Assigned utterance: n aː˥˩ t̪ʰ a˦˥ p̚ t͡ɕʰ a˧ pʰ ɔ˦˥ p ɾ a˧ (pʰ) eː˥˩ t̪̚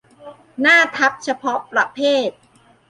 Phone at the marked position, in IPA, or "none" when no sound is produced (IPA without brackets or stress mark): pʰ